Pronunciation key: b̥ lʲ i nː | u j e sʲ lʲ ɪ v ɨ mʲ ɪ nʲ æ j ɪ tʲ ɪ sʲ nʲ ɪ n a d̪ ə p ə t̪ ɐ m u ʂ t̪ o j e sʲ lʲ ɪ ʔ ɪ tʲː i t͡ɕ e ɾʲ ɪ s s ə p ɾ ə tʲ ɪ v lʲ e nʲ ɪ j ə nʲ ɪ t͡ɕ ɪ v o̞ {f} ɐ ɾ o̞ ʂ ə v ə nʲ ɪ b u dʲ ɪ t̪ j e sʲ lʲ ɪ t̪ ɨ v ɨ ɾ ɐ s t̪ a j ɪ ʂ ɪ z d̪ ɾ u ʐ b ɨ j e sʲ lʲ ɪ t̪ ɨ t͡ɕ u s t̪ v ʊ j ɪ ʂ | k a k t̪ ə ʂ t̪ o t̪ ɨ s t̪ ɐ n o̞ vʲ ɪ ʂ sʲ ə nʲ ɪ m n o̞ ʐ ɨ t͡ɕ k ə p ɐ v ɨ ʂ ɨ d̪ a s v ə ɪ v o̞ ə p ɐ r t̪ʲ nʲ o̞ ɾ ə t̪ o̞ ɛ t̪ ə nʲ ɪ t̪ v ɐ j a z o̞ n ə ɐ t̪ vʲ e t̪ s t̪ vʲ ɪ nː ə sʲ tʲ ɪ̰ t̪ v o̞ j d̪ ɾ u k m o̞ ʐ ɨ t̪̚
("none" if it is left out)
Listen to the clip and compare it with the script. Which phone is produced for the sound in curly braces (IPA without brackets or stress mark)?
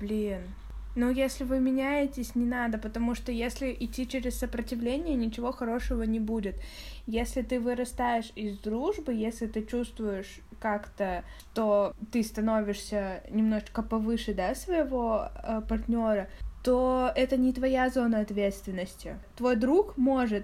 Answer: x